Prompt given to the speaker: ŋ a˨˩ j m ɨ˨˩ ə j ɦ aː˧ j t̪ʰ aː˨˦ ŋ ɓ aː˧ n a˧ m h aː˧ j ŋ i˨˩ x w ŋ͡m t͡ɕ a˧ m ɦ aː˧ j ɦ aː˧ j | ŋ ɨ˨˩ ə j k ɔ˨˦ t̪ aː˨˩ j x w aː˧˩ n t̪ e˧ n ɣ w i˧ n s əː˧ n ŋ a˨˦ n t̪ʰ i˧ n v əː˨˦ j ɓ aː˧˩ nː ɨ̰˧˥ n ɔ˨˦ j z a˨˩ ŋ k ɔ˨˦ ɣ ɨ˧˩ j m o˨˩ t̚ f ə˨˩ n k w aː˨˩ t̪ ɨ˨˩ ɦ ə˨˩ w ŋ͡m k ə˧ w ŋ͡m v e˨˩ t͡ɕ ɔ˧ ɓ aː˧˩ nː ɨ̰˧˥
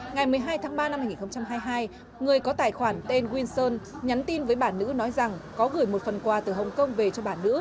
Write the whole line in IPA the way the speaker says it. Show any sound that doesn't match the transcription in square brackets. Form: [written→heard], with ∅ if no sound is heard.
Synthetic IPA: ŋ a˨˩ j m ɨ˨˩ ə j ɦ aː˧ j t̪ʰ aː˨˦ ŋ ɓ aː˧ n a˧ m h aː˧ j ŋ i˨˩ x w ŋ͡m t͡ɕ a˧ m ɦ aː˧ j ɦ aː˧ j | ŋ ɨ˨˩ ə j k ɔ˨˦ t̪ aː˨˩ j x w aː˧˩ n t̪ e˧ n ɣ w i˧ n s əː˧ n [ŋ→ɲ] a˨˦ n [t̪ʰ→t̪] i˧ n v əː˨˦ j ɓ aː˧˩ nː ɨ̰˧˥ n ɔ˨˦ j z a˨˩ ŋ k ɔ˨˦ ɣ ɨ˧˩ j m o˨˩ t̚ f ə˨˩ n k w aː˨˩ t̪ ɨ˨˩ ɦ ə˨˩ w ŋ͡m k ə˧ w ŋ͡m v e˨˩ t͡ɕ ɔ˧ ɓ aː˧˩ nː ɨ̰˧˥